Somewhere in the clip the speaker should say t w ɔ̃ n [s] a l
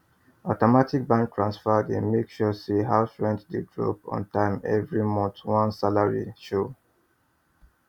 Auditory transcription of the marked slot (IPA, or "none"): s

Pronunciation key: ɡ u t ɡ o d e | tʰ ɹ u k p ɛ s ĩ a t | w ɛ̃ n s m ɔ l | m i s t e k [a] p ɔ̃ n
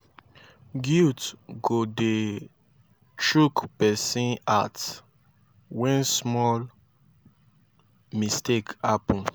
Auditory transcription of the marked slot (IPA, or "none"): a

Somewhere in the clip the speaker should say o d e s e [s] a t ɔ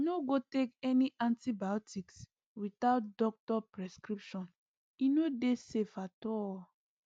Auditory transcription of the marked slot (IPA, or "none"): f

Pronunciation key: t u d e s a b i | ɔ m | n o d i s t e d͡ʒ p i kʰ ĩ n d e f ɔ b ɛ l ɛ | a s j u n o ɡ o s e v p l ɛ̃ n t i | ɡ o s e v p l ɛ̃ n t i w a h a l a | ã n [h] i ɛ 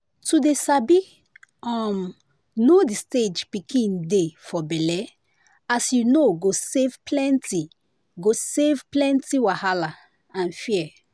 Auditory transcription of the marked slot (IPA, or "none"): f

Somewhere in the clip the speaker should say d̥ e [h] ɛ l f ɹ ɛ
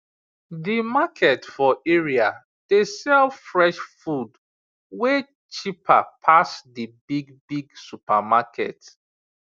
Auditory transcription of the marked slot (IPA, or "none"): s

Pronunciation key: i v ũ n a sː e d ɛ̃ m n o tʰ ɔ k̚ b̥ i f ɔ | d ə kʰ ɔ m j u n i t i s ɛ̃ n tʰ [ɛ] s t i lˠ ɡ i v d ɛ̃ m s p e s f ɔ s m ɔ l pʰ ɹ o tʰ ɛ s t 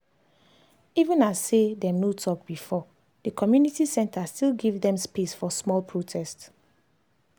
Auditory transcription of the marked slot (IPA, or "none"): a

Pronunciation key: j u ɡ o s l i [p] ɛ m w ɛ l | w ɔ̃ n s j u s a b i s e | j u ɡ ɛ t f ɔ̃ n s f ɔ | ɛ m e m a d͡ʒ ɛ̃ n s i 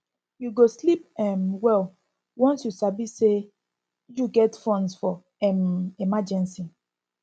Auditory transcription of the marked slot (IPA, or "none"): p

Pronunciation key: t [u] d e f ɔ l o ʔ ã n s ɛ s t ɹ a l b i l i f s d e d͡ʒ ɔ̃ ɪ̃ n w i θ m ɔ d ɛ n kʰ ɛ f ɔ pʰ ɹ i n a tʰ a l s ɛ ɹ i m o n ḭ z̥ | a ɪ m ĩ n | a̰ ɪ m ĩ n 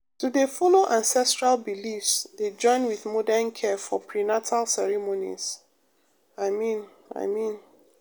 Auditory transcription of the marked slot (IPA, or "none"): u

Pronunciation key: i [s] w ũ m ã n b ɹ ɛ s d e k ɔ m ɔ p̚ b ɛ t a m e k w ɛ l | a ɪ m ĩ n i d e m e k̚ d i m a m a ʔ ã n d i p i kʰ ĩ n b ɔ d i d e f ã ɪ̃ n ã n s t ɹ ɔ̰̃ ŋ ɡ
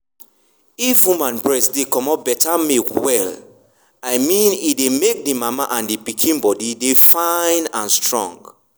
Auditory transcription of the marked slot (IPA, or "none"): f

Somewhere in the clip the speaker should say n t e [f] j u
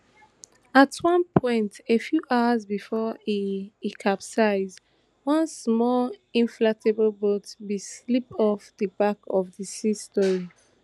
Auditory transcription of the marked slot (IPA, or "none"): f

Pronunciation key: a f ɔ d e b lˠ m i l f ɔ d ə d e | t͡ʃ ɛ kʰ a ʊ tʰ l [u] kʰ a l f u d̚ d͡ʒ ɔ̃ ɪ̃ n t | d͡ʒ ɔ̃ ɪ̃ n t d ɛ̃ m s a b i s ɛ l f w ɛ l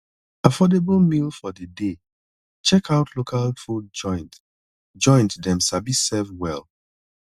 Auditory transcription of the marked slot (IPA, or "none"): o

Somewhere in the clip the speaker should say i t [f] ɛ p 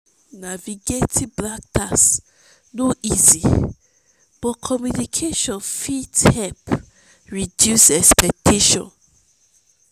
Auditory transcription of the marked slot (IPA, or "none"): h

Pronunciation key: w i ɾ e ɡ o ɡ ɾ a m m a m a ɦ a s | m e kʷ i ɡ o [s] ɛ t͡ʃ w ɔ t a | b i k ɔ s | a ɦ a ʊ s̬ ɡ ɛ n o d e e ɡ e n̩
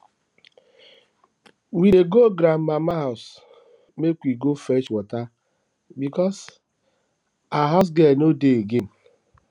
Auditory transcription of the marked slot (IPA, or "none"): f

